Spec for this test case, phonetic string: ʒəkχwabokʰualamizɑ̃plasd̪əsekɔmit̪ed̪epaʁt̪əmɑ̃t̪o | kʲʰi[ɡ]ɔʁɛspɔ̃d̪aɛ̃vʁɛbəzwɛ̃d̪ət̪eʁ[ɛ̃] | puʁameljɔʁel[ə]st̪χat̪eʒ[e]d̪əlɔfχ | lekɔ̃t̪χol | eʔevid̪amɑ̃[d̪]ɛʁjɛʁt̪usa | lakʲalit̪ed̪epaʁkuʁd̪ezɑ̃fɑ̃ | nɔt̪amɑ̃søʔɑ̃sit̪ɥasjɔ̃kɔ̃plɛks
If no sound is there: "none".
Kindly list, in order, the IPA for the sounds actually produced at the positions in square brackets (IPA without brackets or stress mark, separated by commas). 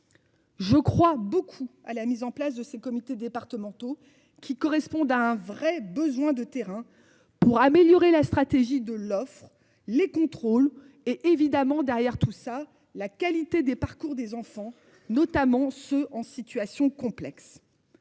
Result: k, ɛ̃, a, i, d̪